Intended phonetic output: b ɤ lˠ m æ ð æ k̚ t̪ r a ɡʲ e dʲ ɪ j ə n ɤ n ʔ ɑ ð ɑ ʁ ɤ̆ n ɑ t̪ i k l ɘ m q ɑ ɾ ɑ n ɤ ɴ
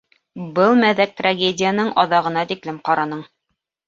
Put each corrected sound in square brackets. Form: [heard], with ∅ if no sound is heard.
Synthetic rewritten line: b ɤ lˠ m æ ð æ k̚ t̪ r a ɡʲ e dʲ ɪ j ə n ɤ [ɴ] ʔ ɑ ð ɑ ʁ ɤ̆ n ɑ t̪ i k l ɘ m q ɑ ɾ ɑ n ɤ ɴ